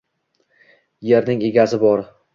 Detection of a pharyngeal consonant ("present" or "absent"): absent